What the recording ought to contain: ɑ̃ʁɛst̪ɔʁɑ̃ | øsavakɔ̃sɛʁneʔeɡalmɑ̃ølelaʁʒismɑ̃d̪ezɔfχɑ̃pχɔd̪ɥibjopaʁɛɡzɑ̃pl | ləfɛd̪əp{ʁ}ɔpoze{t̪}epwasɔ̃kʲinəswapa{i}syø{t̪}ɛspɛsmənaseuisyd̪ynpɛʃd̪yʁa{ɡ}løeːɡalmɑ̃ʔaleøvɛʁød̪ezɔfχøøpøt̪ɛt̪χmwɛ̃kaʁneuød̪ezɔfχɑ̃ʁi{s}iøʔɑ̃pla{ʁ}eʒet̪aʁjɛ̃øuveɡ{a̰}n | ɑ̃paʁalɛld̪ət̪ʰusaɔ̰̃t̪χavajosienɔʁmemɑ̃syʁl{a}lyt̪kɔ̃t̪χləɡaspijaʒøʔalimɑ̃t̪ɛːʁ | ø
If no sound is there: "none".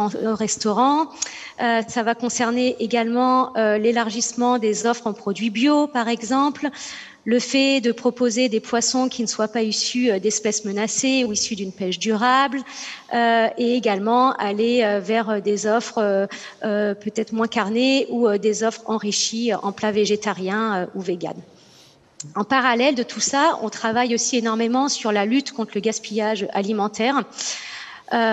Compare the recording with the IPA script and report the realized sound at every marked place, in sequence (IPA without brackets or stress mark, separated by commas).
χ, d̪, i, d̪, b, ʃ, v, a̰, a